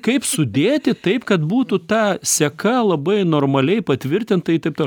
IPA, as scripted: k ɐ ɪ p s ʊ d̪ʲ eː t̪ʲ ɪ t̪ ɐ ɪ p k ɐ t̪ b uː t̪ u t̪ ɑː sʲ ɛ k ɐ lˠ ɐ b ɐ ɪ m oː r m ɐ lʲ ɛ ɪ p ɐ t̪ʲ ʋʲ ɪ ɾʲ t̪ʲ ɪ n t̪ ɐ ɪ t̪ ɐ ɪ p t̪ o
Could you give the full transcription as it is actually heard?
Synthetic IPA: k ɐ ɪ p s ʊ d̪ʲ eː t̪ʲ ɪ t̪ ɐ ɪ p k ɐ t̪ b uː t̪ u t̪ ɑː sʲ ɛ k ɐ lˠ ɐ b ɐ ɪ n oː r m ɐ lʲ ɛ ɪ p ɐ t̪ʲ ʋʲ ɪ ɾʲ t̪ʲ ɪ n t̪ ɐ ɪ t̪ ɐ ɪ p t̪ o